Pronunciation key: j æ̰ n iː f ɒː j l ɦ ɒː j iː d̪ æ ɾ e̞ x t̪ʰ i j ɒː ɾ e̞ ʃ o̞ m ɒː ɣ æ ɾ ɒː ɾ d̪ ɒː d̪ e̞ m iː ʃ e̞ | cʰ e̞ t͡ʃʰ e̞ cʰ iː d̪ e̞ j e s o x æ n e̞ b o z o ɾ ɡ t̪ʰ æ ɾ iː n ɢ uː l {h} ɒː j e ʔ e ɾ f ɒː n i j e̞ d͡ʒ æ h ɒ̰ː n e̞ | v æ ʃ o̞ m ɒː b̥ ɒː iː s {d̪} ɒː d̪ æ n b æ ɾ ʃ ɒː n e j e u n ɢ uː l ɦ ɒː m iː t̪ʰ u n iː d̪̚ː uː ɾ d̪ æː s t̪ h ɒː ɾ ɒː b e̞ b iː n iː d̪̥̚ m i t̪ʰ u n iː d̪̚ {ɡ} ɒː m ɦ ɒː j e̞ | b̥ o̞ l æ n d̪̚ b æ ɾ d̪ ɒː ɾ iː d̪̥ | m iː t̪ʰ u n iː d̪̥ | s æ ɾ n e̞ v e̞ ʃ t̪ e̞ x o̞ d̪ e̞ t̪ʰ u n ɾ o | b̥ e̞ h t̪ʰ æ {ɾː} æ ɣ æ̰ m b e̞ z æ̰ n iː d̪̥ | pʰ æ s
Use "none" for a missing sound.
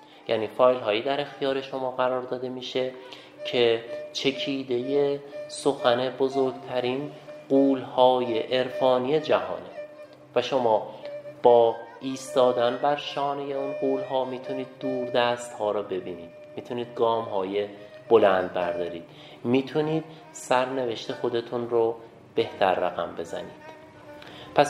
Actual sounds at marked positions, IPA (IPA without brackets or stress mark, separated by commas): h, t̪, ɡ, ɾː